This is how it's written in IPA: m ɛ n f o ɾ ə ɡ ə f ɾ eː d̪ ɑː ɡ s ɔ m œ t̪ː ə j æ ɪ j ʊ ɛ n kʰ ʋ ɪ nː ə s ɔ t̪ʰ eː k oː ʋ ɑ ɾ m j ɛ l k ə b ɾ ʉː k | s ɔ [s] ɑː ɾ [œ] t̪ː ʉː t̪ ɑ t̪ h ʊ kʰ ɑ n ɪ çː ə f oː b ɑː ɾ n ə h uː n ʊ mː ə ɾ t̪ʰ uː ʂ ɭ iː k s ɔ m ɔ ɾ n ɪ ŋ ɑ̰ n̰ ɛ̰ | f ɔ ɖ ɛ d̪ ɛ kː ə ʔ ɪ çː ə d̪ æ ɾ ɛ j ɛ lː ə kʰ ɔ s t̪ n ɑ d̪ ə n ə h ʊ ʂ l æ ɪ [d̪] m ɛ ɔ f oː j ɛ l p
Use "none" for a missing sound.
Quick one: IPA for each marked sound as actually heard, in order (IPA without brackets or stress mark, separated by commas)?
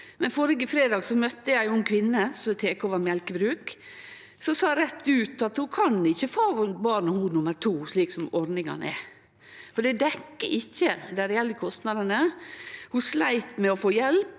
s, ɛ, t̪